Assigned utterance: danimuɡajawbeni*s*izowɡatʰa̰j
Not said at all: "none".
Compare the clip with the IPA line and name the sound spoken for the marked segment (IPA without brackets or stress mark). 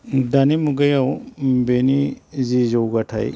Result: z